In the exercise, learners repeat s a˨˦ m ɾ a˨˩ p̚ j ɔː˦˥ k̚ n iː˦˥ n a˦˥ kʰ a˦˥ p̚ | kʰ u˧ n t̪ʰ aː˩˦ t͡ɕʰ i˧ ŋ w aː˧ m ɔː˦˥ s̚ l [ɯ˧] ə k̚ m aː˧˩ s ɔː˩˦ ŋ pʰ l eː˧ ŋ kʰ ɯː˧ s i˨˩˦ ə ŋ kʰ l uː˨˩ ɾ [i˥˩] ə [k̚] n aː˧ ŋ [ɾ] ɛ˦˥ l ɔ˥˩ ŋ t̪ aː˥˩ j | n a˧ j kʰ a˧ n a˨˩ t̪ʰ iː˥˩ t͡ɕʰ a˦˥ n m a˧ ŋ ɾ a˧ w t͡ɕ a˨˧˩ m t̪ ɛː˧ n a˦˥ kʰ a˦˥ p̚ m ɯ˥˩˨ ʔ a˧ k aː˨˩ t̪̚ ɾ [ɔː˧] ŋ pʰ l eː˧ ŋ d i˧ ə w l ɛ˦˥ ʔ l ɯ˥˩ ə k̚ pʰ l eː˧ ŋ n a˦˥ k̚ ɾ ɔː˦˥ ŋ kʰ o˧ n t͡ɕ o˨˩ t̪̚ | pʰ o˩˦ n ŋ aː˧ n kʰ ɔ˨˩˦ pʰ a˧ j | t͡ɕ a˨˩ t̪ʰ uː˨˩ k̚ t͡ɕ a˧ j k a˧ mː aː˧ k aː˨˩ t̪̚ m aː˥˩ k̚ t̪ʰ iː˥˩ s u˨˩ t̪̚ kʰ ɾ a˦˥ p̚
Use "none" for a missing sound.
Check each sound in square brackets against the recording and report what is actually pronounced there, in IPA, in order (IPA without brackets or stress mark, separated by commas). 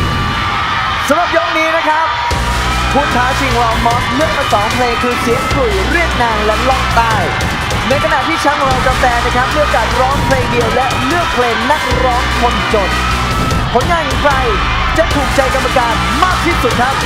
ɯ˥˩, i˥˩, k̚, l, ɔː˦˥